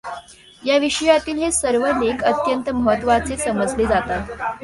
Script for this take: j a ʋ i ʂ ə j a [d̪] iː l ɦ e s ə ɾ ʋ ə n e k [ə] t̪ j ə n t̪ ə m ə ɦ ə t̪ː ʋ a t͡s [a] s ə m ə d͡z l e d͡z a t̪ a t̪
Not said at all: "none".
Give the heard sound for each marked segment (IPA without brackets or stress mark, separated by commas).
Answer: t̪, ə, e